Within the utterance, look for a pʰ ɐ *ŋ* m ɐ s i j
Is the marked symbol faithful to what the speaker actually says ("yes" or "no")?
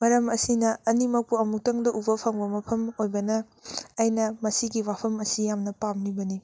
no